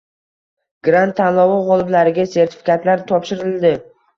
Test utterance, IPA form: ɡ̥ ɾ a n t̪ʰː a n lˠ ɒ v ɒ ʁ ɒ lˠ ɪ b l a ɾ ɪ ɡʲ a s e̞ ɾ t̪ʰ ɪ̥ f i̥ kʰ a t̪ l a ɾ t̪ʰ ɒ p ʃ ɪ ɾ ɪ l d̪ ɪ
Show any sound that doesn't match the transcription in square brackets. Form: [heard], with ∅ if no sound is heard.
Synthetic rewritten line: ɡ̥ ɾ a n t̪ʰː a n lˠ ɒ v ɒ ʁ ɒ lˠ ɪ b l a ɾ ɪ ɡʲ a s e̞ ɾ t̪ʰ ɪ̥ f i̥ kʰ a t̪ l a ɾ t̪ʰ ɒ p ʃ ɪ ɾ ɪ l d̪ ɪ